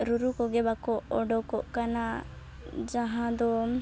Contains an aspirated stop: no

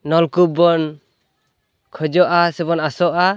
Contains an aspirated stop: yes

